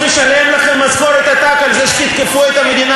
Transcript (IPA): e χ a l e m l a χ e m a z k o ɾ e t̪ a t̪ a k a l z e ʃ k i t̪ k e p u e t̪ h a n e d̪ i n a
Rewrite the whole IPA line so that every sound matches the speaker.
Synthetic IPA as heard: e ʃ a l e m l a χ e m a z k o ɾ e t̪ a t̪ a k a l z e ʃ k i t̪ k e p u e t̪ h a m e d̪ i n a